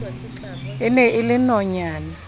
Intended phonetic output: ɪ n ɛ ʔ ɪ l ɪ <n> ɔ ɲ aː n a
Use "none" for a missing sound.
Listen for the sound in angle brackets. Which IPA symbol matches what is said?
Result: n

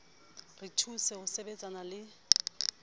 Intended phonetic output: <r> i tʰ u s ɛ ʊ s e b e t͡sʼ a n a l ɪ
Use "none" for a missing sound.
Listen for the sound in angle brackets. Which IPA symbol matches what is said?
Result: r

